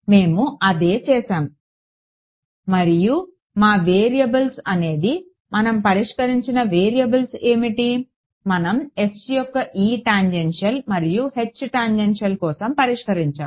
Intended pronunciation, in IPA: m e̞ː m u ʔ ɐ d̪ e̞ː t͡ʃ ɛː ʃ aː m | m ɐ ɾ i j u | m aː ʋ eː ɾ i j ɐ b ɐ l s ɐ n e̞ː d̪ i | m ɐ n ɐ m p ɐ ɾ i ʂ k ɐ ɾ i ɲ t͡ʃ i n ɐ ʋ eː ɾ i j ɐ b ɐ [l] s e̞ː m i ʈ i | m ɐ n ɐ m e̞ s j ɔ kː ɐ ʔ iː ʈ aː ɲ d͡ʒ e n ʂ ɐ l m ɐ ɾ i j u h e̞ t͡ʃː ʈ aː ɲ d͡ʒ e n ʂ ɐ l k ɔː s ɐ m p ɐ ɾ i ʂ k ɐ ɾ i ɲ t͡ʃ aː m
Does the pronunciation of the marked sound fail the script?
no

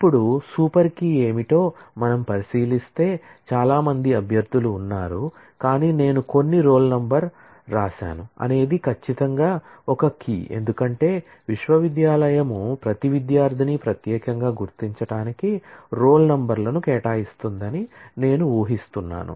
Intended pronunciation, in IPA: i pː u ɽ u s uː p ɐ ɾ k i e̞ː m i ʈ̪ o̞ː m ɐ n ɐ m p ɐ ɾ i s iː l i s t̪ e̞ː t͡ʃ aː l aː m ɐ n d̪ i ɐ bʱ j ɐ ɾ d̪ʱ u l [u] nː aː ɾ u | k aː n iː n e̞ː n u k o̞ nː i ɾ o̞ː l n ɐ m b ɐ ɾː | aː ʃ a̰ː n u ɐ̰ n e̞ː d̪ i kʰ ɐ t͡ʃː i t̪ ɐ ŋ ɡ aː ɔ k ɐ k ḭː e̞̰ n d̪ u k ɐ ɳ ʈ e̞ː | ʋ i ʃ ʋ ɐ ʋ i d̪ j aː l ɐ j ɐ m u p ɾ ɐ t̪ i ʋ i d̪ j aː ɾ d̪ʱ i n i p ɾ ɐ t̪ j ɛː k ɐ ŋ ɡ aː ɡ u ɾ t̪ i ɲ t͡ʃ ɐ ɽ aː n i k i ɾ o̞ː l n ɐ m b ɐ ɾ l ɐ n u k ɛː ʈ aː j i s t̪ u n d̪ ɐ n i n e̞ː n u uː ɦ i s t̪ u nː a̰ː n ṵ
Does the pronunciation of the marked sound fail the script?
yes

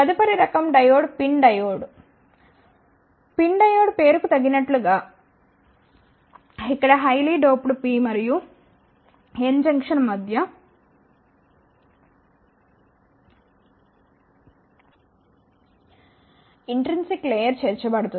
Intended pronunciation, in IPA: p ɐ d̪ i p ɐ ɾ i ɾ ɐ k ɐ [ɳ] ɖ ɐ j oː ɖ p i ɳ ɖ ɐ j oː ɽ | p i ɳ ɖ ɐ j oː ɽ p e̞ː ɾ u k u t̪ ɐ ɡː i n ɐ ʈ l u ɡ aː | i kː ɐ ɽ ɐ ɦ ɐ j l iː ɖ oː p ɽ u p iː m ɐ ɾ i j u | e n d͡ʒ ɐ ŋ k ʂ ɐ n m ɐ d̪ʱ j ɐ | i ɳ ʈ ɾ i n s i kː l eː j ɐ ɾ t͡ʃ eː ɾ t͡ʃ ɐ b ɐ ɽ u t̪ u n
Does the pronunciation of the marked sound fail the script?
yes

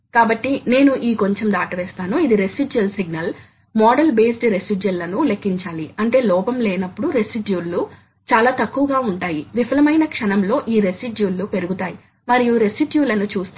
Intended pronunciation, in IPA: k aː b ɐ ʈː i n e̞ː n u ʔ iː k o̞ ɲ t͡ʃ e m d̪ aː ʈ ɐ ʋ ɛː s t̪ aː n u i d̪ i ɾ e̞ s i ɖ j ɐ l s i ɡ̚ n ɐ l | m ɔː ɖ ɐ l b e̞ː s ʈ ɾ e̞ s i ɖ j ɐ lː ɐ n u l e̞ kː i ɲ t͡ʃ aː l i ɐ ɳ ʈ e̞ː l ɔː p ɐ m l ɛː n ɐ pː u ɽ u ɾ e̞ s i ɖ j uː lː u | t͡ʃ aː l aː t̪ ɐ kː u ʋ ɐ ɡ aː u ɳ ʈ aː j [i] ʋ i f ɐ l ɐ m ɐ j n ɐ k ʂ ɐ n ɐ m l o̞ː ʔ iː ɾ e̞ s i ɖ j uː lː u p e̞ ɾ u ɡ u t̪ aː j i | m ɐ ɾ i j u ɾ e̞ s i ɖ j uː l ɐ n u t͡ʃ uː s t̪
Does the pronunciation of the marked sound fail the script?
no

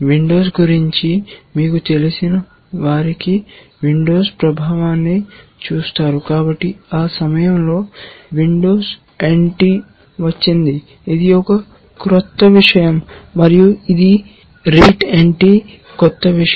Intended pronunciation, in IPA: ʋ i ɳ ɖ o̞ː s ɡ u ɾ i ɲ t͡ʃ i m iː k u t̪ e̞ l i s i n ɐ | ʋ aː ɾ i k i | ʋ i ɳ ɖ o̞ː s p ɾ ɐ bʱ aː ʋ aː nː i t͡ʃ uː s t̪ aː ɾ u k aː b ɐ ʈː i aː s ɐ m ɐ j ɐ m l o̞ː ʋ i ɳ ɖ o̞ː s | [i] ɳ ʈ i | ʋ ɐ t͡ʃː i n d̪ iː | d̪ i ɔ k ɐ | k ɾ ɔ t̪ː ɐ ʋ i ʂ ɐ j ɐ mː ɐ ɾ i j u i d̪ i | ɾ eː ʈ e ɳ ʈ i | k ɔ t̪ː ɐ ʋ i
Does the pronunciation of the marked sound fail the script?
yes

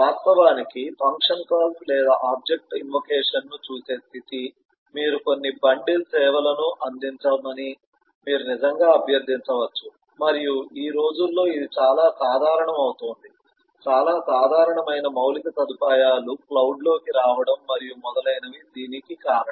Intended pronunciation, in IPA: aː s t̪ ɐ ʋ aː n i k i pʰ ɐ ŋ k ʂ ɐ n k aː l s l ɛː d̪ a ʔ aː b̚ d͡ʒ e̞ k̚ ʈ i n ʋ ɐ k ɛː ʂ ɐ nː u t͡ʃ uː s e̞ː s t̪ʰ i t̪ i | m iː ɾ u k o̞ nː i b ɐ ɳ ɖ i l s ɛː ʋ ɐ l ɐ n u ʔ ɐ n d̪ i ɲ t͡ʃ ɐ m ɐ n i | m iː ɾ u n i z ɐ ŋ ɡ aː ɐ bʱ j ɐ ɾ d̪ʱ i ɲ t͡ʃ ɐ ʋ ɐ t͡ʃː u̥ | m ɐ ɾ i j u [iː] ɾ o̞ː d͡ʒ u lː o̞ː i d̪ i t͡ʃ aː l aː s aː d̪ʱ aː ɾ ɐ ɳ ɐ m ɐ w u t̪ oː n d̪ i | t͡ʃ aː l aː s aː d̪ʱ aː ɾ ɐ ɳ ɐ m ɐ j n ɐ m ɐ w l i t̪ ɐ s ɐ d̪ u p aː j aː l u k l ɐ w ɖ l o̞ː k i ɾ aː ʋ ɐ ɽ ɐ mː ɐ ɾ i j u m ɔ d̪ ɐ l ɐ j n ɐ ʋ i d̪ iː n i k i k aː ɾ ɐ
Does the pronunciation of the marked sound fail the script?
no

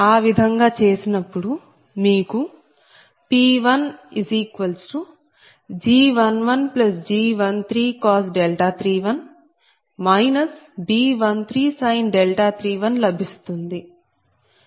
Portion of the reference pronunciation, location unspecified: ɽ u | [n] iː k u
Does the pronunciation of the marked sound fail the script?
yes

